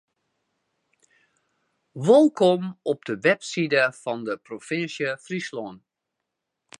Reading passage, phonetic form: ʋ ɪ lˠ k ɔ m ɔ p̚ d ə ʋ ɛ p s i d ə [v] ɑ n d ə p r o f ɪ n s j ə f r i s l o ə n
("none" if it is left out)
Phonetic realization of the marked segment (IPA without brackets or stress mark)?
f